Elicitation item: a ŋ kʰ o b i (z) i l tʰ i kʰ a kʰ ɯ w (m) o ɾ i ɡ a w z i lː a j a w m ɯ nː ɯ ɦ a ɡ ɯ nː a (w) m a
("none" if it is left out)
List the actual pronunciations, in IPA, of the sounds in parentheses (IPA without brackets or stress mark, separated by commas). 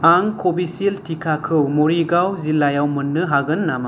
s, m, none